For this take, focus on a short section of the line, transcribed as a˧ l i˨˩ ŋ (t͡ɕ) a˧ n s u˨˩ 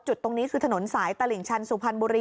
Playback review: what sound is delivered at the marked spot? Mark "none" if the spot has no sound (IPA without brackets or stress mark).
t͡ɕʰ